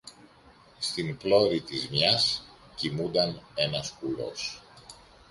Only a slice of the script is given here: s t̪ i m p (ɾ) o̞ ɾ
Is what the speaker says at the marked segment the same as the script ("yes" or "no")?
no